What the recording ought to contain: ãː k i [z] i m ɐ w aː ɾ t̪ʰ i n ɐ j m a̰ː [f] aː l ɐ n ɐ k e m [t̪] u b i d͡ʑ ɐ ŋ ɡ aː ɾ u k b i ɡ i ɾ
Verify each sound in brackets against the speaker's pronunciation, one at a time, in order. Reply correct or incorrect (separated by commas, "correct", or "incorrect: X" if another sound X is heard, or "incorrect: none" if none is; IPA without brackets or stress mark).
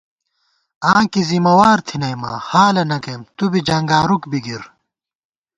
correct, incorrect: h, correct